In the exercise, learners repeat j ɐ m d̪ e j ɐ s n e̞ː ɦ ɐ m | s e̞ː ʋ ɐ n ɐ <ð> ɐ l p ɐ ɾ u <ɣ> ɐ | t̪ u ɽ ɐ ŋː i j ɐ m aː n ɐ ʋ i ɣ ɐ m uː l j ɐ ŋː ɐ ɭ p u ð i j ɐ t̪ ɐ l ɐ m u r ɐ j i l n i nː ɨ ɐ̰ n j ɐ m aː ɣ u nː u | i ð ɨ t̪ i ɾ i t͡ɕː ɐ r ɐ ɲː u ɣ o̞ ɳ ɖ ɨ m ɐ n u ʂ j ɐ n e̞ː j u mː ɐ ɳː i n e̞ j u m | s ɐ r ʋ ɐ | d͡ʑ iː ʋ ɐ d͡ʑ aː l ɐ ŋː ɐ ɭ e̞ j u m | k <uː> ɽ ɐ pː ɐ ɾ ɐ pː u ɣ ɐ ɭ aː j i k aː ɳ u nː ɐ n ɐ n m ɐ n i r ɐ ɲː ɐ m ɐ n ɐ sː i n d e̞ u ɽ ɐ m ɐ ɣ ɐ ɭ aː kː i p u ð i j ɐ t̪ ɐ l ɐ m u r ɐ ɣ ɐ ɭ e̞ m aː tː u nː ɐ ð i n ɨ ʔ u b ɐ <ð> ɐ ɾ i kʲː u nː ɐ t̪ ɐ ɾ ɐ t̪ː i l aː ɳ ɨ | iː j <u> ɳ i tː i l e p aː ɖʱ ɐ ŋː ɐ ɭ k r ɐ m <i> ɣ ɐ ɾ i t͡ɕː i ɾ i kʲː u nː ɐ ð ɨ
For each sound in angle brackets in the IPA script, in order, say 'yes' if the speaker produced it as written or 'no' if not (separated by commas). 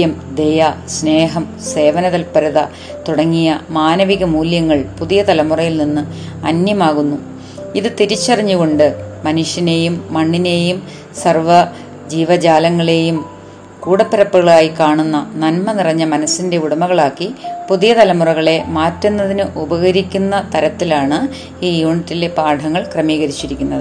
yes, no, yes, no, no, no